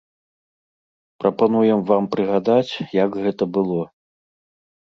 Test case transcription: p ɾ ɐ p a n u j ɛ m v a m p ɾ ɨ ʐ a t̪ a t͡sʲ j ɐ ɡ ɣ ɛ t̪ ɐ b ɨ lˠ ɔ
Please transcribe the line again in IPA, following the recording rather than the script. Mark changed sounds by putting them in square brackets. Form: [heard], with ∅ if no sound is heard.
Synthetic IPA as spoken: p ɾ ɐ p a n u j ɛ m v a m p ɾ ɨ [ɣ] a [d̪] a t͡sʲ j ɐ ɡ ɣ ɛ t̪ ɐ b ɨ lˠ ɔ